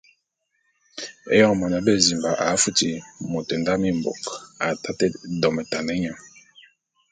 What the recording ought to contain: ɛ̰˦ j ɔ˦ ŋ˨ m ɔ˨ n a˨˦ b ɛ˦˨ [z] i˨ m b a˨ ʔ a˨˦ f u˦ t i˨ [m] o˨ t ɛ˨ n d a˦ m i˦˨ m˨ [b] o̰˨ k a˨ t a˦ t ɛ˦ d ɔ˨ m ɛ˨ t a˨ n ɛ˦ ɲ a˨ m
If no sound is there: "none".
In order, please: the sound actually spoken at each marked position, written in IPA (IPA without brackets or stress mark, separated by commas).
z, m, b